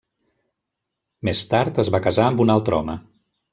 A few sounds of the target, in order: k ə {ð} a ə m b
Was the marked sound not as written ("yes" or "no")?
yes